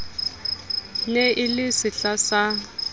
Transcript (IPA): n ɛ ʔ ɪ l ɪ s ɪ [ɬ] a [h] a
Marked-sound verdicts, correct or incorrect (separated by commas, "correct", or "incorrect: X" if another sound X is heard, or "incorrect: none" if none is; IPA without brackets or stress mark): correct, incorrect: s